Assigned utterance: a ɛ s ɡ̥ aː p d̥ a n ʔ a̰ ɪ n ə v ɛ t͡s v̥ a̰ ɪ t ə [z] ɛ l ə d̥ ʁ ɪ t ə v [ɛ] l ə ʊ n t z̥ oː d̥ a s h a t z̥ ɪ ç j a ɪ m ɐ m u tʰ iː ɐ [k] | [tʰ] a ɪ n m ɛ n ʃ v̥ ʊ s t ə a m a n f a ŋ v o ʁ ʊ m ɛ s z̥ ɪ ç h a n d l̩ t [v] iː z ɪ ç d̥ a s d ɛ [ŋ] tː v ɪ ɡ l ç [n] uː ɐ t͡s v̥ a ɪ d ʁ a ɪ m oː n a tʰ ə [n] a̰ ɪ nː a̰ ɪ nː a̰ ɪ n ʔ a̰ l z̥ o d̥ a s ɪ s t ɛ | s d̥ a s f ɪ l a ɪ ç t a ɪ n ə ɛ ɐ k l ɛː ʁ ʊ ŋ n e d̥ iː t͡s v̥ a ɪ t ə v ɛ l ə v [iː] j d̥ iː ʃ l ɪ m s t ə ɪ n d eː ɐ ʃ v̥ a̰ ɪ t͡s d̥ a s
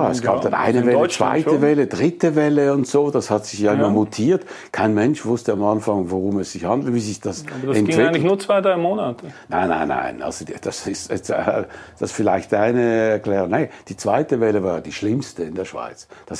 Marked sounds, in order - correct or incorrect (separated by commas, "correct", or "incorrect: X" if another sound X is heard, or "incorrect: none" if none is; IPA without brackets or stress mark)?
incorrect: v, correct, incorrect: t, incorrect: kʰ, correct, incorrect: n, correct, correct, incorrect: aː